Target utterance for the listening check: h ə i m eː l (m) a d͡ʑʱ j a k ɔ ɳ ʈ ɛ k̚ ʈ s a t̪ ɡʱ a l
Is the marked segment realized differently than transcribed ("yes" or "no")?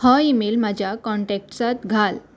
no